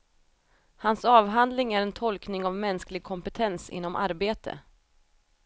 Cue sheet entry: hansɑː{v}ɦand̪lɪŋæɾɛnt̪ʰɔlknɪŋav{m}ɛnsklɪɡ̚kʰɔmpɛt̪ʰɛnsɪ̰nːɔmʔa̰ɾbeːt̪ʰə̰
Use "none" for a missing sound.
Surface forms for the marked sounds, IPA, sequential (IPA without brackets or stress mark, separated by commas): v, m